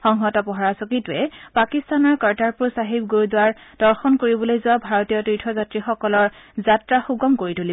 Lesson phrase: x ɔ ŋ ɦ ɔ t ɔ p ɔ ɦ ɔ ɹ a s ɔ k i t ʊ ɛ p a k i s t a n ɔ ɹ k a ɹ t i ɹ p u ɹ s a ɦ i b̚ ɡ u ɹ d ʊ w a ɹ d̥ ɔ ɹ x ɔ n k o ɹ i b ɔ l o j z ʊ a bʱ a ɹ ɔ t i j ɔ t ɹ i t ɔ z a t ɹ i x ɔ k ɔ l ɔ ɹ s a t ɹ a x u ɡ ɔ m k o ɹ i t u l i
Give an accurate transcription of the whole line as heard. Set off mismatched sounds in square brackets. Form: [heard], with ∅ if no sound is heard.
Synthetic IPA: x ɔ ŋ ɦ ɔ t ɔ p ɔ ɦ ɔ ɹ a s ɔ k i t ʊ ɛ p a k i s t a n ɔ ɹ k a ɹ t [a] ɹ p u ɹ s a ɦ i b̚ ɡ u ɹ d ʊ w a ɹ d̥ ɔ ɹ x ɔ n k o ɹ i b ɔ l o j z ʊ a bʱ a ɹ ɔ t i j ɔ t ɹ i [tʰ] ɔ z a t ɹ i x ɔ k ɔ l ɔ ɹ [z] a t ɹ a x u ɡ ɔ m k o ɹ i t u l i

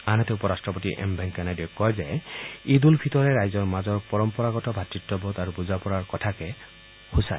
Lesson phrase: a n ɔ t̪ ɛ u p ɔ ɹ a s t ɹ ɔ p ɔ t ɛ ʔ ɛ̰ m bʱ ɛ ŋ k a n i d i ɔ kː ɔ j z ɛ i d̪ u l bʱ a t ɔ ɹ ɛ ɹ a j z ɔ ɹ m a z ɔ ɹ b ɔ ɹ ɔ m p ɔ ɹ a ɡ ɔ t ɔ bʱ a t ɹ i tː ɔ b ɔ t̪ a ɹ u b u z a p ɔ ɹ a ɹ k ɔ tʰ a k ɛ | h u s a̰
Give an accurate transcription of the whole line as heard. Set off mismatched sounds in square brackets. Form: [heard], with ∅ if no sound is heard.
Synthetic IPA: a n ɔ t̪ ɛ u p ɔ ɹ a s t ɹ ɔ p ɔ t [i] ʔ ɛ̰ m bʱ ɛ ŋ k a n [a] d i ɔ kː ɔ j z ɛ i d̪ u l bʱ [i] t ɔ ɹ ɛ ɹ a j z ɔ ɹ m a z ɔ ɹ [p] ɔ ɹ ɔ m p ɔ ɹ a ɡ ɔ t ɔ bʱ a t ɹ i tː ɔ b ɔ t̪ a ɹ u b u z a p ɔ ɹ a ɹ k ɔ tʰ a k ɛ | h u s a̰

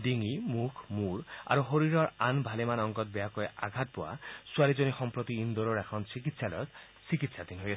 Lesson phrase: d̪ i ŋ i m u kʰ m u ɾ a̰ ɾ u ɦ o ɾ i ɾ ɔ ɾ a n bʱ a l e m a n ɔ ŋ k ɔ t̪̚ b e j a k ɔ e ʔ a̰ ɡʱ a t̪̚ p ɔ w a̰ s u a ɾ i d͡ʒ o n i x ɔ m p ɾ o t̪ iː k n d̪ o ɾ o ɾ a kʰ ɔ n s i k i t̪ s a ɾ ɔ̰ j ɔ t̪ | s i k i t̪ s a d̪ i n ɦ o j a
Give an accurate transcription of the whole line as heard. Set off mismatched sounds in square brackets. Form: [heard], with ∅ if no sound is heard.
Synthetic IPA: d̪ i ŋ i m u kʰ m u ɾ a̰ ɾ u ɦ o ɾ i ɾ ɔ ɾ a n bʱ a l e m a n ɔ ŋ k ɔ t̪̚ b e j a k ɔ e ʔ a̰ ɡʱ a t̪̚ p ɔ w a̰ s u a ɾ i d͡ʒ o n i x ɔ m p ɾ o t̪ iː [∅] n d̪ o ɾ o ɾ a kʰ ɔ n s i k i t̪ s a [l] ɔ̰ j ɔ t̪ | s i k i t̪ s a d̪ i n ɦ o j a

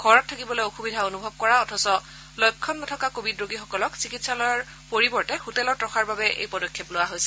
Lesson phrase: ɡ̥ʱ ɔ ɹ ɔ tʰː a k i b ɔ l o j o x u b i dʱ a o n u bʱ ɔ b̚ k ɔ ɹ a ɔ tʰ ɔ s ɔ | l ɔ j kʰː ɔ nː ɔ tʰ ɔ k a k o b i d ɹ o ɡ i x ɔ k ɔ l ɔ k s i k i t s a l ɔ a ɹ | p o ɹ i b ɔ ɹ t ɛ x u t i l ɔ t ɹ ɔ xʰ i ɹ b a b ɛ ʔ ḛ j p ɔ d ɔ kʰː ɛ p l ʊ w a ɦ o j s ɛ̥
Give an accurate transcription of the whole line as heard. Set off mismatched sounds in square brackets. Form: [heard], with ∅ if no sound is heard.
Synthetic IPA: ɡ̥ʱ ɔ ɹ ɔ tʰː a k i b ɔ l o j o x u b i dʱ a o n u bʱ ɔ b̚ k ɔ ɹ a ɔ tʰ ɔ s ɔ | l ɔ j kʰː ɔ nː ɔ tʰ ɔ k a k o b i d ɹ o ɡ i x ɔ k ɔ l ɔ k s i k i t s a l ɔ a ɹ | p o ɹ i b ɔ ɹ t ɛ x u t [ɛ] l ɔ t ɹ ɔ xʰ [a] ɹ b a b ɛ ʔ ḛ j p ɔ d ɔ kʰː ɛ p l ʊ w a ɦ o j s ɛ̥

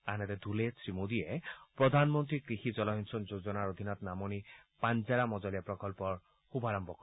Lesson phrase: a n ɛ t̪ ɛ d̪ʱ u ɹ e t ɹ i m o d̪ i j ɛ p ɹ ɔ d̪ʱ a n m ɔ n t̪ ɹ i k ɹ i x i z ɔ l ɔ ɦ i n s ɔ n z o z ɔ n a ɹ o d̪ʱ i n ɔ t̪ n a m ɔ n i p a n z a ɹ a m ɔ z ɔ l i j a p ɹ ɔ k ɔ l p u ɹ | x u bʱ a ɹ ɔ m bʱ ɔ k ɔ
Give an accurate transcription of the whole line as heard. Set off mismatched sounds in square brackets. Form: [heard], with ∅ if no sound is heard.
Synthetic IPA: a n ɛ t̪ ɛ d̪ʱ u [l] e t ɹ i m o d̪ i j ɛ p ɹ ɔ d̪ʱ a n m ɔ n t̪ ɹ i k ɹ i x i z ɔ l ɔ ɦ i n s ɔ n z o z ɔ n a ɹ o d̪ʱ i n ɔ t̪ n a m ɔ n i p a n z a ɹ a m ɔ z ɔ l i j a p ɹ ɔ k ɔ l p [ɔ] ɹ | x u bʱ a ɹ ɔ m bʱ ɔ k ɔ

